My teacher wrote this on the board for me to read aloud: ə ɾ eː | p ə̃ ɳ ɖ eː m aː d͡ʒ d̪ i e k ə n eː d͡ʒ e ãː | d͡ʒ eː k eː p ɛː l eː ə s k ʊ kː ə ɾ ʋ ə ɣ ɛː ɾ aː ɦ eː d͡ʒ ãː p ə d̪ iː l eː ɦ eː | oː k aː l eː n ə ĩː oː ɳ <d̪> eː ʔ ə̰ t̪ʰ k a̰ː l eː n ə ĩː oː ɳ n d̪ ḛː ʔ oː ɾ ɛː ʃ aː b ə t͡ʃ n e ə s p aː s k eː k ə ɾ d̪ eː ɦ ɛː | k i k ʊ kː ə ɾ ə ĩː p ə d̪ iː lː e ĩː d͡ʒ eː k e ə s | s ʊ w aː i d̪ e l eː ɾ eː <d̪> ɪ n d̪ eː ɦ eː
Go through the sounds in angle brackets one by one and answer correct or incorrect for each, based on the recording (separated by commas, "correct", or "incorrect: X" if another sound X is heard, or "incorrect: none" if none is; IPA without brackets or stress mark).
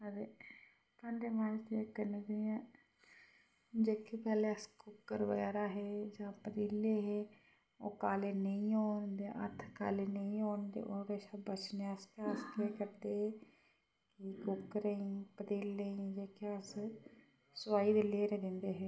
correct, correct